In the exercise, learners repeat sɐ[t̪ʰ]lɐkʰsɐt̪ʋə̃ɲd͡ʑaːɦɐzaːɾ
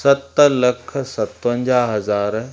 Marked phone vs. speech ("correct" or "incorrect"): incorrect